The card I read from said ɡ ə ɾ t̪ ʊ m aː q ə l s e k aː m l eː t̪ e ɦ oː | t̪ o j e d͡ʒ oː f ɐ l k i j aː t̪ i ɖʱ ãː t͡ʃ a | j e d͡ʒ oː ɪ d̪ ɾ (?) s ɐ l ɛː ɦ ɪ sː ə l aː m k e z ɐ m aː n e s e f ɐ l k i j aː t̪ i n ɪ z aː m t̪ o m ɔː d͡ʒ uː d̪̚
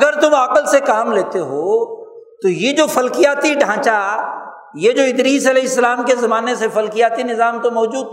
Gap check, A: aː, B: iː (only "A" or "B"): B